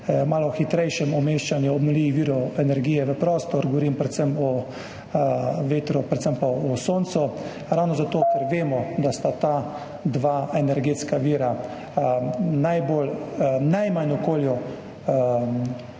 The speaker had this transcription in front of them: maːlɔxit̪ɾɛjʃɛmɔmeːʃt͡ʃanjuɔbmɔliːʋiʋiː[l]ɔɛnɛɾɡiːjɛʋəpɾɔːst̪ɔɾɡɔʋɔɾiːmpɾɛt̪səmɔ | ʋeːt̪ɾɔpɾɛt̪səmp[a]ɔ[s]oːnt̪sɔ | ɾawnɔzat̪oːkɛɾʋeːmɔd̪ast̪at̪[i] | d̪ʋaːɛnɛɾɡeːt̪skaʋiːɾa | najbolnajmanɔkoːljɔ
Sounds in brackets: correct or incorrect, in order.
incorrect: ɾ, correct, correct, incorrect: a

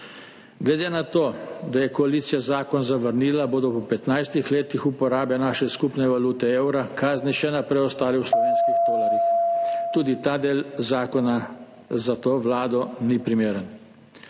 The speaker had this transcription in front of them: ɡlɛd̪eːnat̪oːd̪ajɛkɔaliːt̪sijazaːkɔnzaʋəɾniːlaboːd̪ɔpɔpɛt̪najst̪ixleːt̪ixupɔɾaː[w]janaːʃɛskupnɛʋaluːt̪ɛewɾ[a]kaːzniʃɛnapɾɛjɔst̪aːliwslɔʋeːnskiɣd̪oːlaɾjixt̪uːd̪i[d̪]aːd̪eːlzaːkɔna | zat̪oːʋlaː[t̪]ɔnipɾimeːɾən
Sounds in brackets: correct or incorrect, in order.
incorrect: b, correct, incorrect: t̪, incorrect: d̪

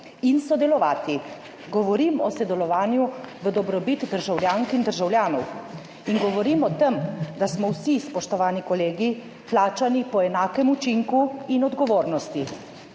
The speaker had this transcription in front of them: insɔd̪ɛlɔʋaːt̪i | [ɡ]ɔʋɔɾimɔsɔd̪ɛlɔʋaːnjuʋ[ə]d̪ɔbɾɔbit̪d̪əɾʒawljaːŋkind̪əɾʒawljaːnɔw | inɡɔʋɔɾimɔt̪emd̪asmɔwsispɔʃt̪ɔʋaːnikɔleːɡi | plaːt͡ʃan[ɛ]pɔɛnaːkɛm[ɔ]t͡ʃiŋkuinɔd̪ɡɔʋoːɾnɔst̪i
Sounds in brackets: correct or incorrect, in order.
correct, correct, incorrect: i, incorrect: u

